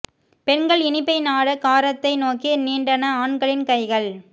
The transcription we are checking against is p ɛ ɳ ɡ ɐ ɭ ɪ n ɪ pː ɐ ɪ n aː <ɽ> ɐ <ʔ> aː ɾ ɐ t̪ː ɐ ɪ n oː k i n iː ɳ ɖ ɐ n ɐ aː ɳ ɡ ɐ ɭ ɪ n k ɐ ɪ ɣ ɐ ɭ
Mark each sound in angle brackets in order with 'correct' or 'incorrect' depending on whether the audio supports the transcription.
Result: correct, incorrect: k

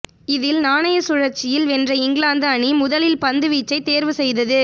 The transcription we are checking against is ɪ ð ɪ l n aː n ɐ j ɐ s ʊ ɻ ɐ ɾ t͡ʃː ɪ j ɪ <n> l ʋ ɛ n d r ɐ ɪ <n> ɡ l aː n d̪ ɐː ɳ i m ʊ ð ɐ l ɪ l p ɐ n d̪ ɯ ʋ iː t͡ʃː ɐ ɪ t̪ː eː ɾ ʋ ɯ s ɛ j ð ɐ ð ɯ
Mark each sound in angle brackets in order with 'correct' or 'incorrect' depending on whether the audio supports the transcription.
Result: incorrect: none, incorrect: ŋ

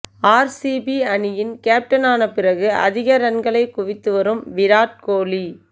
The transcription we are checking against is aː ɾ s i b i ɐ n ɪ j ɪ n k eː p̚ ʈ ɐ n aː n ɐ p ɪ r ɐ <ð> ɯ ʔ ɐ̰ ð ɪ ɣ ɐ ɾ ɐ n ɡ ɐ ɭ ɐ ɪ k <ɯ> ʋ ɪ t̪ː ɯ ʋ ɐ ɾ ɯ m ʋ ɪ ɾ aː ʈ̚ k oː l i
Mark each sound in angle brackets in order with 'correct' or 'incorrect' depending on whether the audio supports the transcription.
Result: incorrect: ɣ, incorrect: ʊ

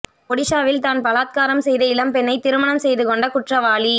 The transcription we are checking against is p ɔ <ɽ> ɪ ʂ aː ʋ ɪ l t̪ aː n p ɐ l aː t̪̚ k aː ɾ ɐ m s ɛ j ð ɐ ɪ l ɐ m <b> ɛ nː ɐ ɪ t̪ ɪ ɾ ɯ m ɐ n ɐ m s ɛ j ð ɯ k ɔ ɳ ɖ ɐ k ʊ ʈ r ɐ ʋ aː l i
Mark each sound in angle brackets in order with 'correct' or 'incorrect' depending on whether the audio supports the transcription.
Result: correct, incorrect: p

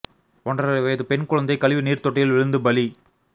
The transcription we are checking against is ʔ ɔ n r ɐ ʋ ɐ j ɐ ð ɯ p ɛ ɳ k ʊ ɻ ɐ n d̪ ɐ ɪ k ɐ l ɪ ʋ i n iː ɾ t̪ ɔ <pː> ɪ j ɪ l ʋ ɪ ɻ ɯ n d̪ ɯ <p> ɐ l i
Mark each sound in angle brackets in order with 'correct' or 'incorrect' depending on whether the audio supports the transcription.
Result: incorrect: ʈː, incorrect: b

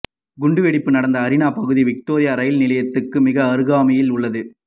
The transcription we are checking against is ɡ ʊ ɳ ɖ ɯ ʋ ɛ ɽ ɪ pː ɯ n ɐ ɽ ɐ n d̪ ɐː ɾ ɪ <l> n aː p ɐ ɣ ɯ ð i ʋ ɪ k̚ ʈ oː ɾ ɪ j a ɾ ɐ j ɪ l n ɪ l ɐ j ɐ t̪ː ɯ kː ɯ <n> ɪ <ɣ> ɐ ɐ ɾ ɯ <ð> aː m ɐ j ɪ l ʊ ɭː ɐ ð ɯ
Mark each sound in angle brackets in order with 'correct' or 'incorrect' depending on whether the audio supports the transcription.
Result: incorrect: none, incorrect: m, correct, incorrect: ɣ

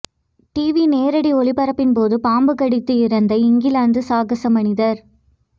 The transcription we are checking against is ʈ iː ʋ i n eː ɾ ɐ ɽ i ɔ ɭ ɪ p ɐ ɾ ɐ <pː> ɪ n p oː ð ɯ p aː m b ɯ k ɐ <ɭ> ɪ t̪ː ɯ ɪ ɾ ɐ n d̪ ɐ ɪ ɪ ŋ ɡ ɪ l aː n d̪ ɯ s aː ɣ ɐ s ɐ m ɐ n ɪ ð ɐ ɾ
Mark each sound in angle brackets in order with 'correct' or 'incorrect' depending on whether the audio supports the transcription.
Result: correct, incorrect: ɽ

